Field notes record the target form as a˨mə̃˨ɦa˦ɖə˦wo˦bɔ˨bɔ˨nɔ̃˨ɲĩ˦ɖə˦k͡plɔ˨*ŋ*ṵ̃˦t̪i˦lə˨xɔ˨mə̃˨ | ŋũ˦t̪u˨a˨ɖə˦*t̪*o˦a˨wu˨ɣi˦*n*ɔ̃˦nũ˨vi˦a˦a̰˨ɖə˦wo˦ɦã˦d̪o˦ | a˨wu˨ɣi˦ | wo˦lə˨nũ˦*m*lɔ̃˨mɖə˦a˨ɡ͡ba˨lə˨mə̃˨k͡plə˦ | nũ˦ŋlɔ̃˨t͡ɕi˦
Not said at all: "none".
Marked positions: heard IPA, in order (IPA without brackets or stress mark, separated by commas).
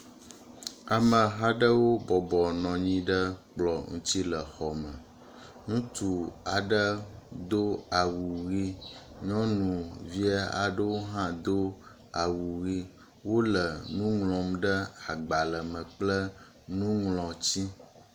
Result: ŋ, d̪, ɲ, ŋ